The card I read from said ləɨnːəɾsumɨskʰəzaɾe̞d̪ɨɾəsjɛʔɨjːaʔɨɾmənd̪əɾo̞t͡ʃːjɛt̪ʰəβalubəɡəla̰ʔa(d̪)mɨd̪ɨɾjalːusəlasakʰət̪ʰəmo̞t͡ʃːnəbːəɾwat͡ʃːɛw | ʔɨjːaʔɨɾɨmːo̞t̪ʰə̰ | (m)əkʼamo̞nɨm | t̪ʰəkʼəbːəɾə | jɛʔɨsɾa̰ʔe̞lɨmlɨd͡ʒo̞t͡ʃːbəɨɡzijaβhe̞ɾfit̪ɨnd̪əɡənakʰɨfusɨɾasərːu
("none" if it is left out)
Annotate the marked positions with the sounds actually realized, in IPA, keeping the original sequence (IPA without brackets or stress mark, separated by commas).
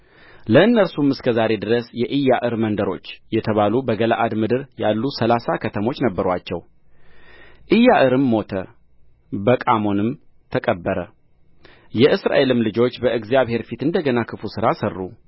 d̪, b